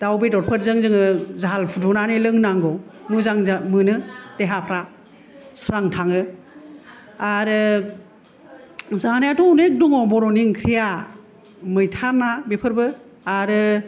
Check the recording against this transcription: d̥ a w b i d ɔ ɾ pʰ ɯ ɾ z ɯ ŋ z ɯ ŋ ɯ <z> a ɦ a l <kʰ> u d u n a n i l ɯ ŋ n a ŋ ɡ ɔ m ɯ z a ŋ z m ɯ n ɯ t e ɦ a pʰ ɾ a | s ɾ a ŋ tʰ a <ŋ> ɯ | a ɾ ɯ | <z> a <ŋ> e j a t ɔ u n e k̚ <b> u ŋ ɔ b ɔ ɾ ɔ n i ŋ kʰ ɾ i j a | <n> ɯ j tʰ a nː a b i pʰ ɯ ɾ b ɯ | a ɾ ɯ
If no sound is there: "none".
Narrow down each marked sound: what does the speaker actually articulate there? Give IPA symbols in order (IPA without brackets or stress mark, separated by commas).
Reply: z, pʰ, ŋ, z, n, d, m